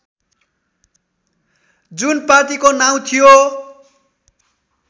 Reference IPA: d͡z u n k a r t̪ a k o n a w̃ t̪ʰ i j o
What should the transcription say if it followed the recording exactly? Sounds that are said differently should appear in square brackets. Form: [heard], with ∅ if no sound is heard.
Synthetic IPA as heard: d͡z u n [p] a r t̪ [i] k o n a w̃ t̪ʰ i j o